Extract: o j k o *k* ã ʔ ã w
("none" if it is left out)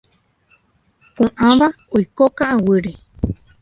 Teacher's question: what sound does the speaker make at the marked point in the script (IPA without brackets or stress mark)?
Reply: k